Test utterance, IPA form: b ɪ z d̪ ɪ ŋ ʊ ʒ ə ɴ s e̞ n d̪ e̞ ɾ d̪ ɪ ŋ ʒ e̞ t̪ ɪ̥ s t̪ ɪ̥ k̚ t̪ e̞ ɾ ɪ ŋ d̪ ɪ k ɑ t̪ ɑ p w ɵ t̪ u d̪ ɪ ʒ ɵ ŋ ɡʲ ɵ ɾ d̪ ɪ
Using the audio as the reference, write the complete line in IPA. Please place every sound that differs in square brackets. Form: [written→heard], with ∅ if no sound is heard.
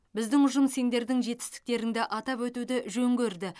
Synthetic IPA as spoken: b ɪ z d̪ ɪ ŋ ʊ ʒ ə [ɴ→m] s e̞ n d̪ e̞ ɾ d̪ ɪ ŋ ʒ e̞ t̪ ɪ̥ s t̪ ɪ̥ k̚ t̪ e̞ ɾ ɪ ŋ d̪ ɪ [k→ʔ] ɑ t̪ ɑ p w ɵ t̪ u d̪ ɪ ʒ ɵ ŋ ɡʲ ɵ ɾ d̪ ɪ

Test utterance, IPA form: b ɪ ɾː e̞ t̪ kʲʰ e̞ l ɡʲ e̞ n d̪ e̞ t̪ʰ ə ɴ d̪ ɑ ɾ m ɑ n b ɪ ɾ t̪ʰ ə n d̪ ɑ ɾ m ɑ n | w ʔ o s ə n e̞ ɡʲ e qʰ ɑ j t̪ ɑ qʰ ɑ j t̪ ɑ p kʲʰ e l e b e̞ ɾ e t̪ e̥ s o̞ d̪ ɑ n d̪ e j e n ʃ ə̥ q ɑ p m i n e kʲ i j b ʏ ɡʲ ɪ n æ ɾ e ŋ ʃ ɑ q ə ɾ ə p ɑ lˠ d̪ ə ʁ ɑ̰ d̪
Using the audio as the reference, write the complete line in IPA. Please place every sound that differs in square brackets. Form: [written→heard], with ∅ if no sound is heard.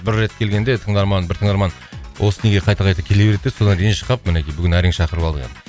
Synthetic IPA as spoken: b ɪ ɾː e̞ t̪ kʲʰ e̞ l ɡʲ e̞ n d̪ e̞ t̪ʰ ə ɴ d̪ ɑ ɾ m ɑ n b ɪ ɾ t̪ʰ ə [n→ɴ] d̪ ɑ ɾ m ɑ n | w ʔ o s ə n e̞ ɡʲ e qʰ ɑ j t̪ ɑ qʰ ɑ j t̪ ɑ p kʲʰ e l e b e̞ ɾ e t̪ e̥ s o̞ d̪ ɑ n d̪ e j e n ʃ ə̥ q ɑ p m [i→ɪ] n e kʲ i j b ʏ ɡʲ ɪ n æ ɾ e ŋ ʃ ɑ q ə ɾ ə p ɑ lˠ d̪ ə ʁ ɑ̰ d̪

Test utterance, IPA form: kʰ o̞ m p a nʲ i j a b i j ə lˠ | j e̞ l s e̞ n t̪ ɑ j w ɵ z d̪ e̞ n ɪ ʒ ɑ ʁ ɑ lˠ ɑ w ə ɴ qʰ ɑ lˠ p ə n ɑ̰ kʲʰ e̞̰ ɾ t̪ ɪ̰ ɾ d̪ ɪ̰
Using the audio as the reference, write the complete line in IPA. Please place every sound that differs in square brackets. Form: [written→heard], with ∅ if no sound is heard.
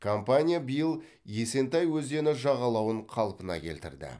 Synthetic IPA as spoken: kʰ o̞ m p a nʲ i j a b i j ə lˠ | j e̞ [l→∅] s e̞ n t̪ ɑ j w ɵ z d̪ e̞ n ɪ ʒ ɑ ʁ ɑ lˠ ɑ w ə ɴ qʰ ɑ lˠ p ə n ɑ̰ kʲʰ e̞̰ [ɾ→l] t̪ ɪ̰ ɾ d̪ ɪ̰

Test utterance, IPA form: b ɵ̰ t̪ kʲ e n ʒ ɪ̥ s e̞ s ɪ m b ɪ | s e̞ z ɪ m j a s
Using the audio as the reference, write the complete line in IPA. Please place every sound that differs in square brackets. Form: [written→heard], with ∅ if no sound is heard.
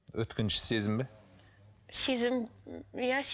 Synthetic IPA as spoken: [b→w] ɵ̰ t̪ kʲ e n [ʒ→ʃ] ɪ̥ s e̞ [s→z] ɪ m b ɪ | s e̞ z ɪ m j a s

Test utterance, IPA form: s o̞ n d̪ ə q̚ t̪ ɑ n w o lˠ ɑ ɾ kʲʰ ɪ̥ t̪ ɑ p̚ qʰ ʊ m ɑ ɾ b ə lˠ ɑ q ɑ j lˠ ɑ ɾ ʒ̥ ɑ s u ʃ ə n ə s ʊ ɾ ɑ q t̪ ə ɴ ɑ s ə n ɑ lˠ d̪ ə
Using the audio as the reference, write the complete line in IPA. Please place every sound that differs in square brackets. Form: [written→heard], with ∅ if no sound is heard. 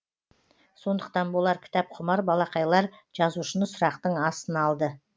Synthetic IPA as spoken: s o̞ n d̪ ə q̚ t̪ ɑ n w o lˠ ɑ ɾ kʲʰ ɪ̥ t̪ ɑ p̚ qʰ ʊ m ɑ ɾ b [ə→ɑ] lˠ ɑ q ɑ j lˠ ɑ ɾ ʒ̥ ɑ [s→z] u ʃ ə n ə s ʊ ɾ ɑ q t̪ ə ɴ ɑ s ə n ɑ lˠ d̪ ə

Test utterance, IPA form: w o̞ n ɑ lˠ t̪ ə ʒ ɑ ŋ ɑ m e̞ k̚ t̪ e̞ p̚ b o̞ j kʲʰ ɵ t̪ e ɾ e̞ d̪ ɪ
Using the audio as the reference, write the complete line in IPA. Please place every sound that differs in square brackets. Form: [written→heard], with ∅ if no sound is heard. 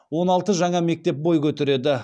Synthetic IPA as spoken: w o̞ n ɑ lˠ t̪ ə ʒ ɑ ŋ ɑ m e̞ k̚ t̪ e̞ p̚ b o̞ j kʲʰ ɵ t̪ e ɾ e̞ d̪ ɪ

